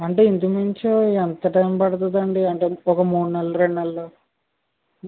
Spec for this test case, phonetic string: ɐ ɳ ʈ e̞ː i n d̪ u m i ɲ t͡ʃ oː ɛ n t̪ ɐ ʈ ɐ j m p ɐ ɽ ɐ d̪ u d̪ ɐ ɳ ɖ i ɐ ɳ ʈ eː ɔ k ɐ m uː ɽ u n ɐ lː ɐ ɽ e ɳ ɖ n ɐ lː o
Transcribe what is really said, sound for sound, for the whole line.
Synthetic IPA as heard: ɐ ɳ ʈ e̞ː i n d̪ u m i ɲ t͡ʃ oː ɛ n t̪ ɐ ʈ ɐ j m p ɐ ɽ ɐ t̪ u d̪ ɐ ɳ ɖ i ɐ ɳ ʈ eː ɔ k ɐ m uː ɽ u n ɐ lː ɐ ɾ e ɳ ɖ n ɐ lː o